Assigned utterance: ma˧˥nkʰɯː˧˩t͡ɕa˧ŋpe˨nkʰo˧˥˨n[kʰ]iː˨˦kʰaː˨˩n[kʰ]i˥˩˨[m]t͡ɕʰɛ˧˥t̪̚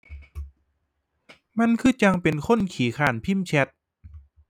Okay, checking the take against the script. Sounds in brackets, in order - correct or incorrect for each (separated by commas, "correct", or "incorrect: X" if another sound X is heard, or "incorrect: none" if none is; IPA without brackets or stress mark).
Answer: correct, incorrect: pʰ, correct